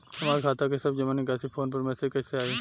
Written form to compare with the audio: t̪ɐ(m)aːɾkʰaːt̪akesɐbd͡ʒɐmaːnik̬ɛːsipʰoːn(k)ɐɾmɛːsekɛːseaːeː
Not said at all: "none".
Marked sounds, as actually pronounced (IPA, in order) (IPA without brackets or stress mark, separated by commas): m, p